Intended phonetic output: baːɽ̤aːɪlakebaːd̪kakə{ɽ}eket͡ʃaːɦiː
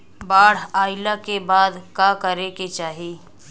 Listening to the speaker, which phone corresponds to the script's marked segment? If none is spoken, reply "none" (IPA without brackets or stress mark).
ɾ